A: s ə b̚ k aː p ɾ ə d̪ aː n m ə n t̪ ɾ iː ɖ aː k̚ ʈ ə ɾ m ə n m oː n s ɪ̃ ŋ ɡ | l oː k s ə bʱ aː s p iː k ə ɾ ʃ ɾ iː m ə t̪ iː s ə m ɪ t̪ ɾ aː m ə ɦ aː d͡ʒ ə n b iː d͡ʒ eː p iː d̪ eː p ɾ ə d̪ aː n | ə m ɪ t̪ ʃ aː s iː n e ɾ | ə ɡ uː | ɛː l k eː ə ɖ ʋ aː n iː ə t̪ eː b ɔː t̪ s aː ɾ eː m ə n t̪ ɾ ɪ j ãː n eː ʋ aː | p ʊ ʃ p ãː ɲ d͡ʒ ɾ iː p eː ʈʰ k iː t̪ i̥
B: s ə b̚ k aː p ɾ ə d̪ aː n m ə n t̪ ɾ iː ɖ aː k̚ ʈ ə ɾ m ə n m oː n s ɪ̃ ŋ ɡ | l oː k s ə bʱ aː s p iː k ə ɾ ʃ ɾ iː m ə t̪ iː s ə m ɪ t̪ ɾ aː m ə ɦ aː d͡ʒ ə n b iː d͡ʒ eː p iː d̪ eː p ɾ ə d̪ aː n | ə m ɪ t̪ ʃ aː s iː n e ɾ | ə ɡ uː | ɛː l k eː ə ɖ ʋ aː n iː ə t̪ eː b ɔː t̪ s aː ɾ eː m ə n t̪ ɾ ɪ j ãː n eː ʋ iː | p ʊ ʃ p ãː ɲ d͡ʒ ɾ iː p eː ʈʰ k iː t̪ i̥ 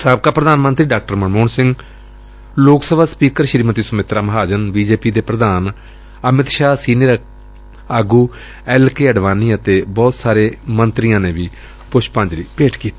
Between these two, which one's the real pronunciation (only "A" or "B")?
B